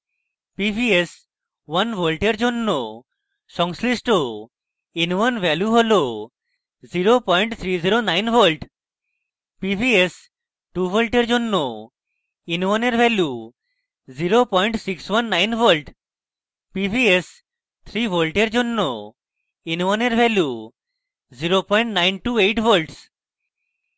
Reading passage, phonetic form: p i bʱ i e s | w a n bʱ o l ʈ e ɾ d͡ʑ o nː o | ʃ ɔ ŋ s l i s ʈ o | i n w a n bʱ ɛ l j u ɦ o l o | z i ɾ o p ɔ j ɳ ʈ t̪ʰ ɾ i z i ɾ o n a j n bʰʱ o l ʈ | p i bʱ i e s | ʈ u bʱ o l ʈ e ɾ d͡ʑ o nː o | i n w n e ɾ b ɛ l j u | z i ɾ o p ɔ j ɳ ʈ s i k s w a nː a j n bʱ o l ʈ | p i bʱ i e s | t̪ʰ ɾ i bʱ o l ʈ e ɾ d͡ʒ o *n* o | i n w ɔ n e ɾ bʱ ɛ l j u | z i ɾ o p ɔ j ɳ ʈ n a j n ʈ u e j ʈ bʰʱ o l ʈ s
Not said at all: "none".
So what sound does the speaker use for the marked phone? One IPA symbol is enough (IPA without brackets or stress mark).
nː